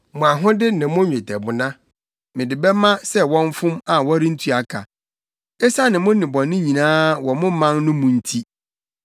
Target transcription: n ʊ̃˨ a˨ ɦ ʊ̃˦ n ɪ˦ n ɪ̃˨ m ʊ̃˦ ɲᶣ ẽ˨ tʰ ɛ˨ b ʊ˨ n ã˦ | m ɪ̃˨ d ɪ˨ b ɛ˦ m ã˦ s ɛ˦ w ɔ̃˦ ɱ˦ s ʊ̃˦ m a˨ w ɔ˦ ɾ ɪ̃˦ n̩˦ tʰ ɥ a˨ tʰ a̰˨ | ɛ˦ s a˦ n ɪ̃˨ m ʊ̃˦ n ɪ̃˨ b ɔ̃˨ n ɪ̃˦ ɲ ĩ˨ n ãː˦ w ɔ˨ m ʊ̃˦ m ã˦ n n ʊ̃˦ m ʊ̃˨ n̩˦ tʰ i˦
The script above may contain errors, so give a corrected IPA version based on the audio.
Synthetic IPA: m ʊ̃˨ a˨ ɦ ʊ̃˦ d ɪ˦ n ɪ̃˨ m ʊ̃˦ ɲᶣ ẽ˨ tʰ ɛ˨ b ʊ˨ n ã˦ | m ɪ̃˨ d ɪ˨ b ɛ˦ m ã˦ s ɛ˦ w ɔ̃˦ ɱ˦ f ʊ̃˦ m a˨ w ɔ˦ ɾ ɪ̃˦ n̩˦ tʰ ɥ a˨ kʰ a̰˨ | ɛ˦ s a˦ n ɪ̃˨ m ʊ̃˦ n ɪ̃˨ b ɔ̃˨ n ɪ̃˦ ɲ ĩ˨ n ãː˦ w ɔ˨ m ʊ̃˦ m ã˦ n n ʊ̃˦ m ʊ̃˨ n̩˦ tʰ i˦